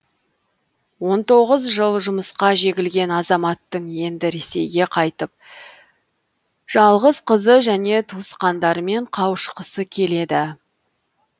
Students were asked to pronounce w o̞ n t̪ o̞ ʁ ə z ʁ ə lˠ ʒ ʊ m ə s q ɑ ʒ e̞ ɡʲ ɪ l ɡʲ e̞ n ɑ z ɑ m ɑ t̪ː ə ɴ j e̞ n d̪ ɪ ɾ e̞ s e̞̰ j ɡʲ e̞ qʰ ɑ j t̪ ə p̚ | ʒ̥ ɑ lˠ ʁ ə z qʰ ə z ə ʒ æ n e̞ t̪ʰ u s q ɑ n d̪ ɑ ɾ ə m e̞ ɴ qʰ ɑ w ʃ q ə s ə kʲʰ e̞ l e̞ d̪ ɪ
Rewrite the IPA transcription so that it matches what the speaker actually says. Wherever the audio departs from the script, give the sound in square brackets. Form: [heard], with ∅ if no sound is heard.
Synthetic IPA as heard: w o̞ n t̪ o̞ ʁ ə z [ʒ] ə lˠ ʒ ʊ m ə s q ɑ ʒ e̞ ɡʲ ɪ l ɡʲ e̞ n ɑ z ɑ m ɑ t̪ː ə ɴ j e̞ n d̪ ɪ ɾ e̞ s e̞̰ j ɡʲ e̞ qʰ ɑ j t̪ ə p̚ | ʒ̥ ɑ lˠ ʁ ə z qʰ ə z ə ʒ æ n e̞ t̪ʰ u s q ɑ n d̪ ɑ ɾ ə m e̞ ɴ qʰ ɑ w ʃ q ə s ə kʲʰ e̞ l e̞ d̪ ɪ